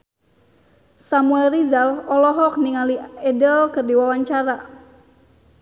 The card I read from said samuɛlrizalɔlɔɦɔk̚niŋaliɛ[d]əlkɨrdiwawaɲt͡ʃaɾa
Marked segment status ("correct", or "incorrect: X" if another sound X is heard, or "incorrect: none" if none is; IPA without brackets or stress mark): correct